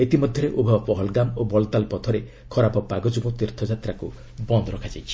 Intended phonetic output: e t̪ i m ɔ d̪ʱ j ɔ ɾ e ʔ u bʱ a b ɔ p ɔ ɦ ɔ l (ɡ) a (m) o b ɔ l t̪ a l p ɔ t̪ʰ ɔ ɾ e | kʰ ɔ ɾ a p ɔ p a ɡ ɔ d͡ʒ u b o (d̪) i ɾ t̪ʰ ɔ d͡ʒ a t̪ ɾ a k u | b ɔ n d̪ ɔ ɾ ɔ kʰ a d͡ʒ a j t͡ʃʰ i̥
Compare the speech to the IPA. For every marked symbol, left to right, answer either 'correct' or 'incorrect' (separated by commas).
correct, correct, incorrect